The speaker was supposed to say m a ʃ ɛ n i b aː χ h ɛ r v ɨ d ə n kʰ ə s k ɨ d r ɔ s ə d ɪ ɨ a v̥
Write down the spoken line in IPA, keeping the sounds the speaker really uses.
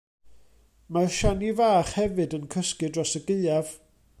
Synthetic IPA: m a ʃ a n i v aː χ h ɛ v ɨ d ə n kʰ ə s k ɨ d r ɔ s ə ɡ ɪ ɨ a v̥